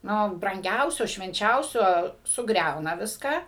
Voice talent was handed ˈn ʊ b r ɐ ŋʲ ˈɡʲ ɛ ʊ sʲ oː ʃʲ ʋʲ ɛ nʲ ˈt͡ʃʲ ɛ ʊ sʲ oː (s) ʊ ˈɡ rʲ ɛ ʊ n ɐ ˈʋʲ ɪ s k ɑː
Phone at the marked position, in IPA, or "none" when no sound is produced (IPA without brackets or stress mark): s